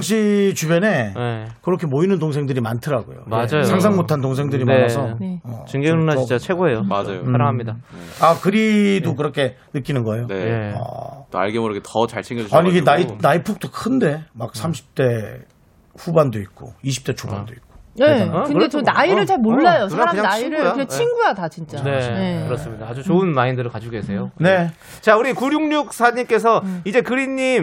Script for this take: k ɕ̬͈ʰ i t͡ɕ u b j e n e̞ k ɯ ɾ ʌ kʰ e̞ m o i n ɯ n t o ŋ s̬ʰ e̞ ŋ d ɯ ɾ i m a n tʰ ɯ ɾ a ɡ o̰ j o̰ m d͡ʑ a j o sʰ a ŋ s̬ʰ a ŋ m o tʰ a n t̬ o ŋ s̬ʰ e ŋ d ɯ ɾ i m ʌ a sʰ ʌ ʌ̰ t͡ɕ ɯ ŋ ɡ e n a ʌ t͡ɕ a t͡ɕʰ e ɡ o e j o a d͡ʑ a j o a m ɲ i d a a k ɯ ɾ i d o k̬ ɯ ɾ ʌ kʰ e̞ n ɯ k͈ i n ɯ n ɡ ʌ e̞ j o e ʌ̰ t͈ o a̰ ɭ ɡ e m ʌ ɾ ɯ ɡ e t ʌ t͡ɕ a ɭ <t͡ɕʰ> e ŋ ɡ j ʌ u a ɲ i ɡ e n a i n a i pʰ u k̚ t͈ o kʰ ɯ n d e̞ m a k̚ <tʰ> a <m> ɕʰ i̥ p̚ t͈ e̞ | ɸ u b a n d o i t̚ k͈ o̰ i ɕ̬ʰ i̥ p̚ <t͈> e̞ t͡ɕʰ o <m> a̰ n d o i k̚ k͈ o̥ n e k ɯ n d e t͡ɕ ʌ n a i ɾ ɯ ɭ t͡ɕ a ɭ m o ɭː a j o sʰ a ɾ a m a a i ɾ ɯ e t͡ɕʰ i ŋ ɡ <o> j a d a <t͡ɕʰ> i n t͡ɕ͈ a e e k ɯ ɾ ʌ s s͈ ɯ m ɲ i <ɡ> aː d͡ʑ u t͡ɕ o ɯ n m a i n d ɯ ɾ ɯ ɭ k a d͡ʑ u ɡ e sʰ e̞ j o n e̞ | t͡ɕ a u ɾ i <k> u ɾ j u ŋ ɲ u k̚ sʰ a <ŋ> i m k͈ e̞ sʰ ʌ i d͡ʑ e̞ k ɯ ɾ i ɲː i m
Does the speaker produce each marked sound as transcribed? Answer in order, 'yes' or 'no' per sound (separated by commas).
yes, no, yes, yes, no, no, no, no, yes, no